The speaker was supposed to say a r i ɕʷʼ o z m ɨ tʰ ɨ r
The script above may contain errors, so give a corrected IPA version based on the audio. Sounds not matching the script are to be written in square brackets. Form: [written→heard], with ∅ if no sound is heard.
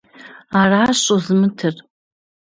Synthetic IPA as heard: a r [i→a] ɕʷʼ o z m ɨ tʰ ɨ r